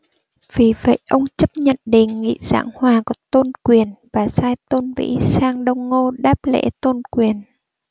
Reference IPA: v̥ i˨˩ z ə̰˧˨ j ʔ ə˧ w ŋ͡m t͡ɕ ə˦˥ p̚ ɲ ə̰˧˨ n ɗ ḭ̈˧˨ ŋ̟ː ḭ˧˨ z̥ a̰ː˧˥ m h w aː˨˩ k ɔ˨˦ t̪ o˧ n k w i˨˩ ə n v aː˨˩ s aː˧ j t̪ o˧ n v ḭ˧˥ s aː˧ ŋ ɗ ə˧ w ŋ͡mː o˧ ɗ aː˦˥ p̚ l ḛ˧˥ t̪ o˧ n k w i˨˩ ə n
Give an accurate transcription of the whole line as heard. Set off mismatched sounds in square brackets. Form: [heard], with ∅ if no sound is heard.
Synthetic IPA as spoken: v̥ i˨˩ [v] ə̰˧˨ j ʔ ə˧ w ŋ͡m t͡ɕ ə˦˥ p̚ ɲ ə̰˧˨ n ɗ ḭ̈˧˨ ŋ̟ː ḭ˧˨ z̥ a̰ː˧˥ [ŋ] h w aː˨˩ k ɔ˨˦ t̪ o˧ n k w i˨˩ ə n v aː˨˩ s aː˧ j t̪ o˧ n v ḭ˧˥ s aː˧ ŋ ɗ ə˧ w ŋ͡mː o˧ ɗ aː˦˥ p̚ l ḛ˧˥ t̪ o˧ n k w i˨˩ ə n